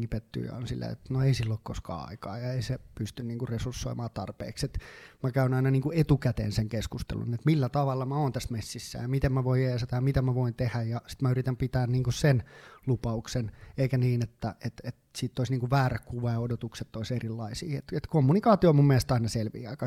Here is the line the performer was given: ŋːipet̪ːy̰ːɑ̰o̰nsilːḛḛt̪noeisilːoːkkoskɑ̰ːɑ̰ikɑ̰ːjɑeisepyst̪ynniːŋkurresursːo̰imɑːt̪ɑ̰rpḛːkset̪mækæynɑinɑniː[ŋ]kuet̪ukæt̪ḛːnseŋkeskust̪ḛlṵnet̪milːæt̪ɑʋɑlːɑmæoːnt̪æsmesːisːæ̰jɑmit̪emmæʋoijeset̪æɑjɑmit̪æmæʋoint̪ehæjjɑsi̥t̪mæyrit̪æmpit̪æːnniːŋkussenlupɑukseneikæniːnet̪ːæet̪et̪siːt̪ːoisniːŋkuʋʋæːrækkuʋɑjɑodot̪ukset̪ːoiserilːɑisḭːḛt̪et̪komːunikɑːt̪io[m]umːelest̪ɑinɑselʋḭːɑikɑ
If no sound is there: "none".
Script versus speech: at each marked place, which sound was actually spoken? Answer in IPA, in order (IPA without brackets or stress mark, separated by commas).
ŋ, m